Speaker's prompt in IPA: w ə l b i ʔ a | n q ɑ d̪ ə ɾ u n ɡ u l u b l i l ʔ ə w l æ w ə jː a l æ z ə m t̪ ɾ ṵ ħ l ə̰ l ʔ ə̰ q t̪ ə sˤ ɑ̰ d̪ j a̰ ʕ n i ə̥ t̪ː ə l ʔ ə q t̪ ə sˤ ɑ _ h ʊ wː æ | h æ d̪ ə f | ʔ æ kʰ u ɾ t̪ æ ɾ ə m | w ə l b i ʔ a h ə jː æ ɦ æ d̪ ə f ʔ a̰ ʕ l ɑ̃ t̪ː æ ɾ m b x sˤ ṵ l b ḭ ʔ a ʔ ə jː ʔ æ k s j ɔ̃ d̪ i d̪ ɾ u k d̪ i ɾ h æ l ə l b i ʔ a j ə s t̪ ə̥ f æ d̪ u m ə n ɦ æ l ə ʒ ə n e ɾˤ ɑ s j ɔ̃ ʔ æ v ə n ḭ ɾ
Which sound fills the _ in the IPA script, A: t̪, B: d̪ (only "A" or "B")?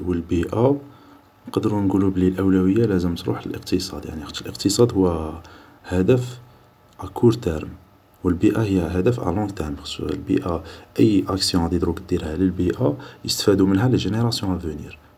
B